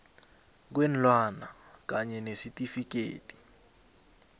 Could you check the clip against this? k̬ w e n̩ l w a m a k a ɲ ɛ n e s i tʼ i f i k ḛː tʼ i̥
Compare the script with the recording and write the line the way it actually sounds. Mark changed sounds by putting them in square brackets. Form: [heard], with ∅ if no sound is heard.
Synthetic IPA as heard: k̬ w e n̩ l w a [n] a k a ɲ ɛ n e s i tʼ i f i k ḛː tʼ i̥